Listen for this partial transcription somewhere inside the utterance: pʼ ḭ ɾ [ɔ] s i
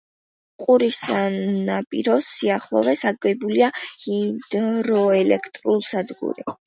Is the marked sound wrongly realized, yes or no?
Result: no